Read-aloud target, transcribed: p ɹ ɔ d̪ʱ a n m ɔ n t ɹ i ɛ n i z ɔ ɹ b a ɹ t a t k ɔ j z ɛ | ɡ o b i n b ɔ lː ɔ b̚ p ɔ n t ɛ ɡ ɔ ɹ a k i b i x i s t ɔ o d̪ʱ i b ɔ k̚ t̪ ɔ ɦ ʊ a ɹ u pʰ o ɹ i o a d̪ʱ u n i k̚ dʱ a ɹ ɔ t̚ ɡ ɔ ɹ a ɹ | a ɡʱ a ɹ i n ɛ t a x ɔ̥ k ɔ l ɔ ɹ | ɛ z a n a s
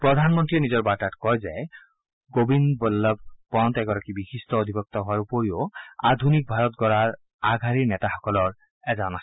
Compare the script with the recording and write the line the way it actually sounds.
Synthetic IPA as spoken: p ɹ ɔ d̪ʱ a n m ɔ n t ɹ i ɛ n i z ɔ ɹ b a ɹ t a t k ɔ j z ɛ | ɡ o b i n b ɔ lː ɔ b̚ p ɔ n t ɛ ɡ ɔ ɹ a k i b i x i s t ɔ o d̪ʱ i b ɔ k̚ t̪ ɔ ɦ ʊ a ɹ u p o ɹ i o a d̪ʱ u n i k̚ bʱ a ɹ ɔ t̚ ɡ ɔ ɹ a ɹ | a ɡʱ a ɹ i n ɛ t a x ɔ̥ k ɔ l ɔ ɹ | ɛ z a n a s